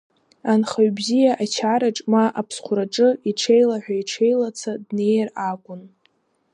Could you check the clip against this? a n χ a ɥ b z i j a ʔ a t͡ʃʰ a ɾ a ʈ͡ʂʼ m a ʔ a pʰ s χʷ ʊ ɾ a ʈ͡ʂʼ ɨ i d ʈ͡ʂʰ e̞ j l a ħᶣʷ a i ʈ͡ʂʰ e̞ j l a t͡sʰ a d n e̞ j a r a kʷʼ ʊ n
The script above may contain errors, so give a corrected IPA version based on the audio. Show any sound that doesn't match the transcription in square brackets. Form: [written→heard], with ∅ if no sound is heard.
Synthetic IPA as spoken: a n χ a ɥ b z i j a ʔ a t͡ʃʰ a ɾ a ʈ͡ʂʼ m a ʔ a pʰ s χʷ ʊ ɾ a ʈ͡ʂʼ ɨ i [d→∅] ʈ͡ʂʰ e̞ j l a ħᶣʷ a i ʈ͡ʂʰ e̞ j l a t͡sʰ a d n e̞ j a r a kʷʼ ʊ n